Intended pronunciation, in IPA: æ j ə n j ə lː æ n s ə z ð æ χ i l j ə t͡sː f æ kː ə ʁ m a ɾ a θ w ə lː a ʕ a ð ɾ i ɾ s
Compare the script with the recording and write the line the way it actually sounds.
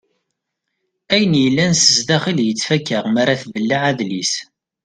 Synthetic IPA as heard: æ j ə n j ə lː æ n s ə z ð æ χ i l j ə t͡sː f æ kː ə ʁ m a ɾ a θ v ə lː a ʕ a ð l i s